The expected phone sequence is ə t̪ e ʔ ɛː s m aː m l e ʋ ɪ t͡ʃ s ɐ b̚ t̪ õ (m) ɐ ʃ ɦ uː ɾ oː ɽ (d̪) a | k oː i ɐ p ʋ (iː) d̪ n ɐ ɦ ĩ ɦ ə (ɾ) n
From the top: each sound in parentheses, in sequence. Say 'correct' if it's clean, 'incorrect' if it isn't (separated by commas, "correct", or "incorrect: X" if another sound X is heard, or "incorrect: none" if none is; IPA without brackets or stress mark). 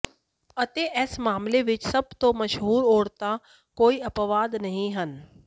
correct, incorrect: t̪, incorrect: aː, incorrect: none